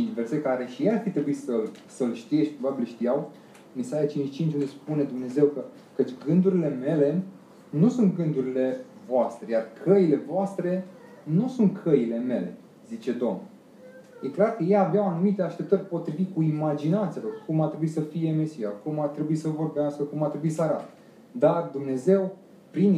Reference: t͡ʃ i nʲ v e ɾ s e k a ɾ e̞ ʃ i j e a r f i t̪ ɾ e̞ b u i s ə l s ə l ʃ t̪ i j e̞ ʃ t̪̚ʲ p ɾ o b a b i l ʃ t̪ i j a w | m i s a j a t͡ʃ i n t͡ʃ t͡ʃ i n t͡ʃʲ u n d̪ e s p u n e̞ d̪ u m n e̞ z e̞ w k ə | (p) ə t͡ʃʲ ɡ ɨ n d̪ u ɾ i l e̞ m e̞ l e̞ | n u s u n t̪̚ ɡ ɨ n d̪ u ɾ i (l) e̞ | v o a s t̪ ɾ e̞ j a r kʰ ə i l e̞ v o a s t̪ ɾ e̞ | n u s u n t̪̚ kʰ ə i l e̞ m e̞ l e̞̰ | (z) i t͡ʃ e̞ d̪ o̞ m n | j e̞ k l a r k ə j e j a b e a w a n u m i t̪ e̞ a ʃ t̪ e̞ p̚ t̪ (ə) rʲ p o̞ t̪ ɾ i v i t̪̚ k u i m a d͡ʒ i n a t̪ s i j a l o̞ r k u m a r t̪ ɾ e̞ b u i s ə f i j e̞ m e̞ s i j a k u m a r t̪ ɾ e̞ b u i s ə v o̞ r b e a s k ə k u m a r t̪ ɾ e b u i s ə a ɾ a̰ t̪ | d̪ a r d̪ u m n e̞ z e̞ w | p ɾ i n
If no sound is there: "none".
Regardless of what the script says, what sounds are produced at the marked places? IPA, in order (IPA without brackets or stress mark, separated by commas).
k, l, z, ə